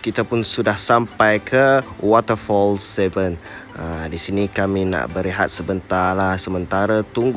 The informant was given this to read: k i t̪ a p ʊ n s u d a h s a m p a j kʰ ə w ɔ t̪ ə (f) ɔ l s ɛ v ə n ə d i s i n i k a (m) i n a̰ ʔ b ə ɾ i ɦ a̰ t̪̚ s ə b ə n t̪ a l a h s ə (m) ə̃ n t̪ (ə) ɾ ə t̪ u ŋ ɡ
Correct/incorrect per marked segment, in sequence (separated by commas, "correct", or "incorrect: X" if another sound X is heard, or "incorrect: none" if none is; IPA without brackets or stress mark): correct, correct, correct, incorrect: a